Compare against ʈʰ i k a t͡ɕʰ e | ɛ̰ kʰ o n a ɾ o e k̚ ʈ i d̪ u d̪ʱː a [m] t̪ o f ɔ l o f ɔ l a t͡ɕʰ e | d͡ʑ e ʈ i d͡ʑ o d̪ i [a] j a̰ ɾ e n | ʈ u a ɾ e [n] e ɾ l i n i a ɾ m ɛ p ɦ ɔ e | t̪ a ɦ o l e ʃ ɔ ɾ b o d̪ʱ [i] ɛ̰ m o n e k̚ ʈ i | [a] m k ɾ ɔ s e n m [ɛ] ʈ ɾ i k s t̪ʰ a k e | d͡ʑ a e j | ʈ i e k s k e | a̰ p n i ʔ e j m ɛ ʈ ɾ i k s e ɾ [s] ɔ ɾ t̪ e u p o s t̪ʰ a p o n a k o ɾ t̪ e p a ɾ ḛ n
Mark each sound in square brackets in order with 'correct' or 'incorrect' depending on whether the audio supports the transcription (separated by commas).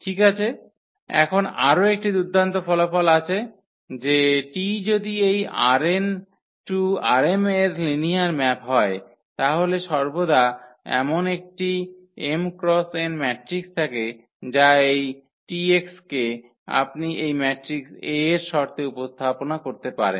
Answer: incorrect, incorrect, incorrect, incorrect, incorrect, correct, incorrect